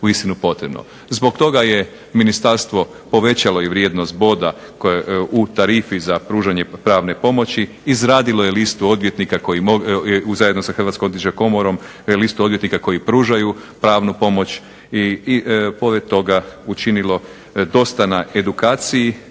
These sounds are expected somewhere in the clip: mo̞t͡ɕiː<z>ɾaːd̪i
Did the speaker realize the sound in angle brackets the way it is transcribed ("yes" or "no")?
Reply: yes